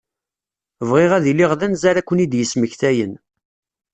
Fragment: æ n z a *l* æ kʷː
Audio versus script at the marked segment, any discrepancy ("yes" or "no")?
yes